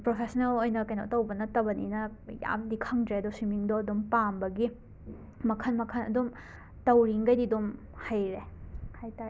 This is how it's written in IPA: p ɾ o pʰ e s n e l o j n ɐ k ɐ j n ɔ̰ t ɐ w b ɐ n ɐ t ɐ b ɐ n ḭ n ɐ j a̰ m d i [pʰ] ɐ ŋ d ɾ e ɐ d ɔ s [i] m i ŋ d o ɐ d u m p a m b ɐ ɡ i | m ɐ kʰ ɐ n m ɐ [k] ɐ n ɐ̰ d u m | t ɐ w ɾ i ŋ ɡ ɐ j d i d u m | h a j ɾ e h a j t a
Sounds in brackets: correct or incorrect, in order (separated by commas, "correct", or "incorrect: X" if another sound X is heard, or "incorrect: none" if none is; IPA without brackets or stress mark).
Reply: incorrect: kʰ, correct, incorrect: kʰ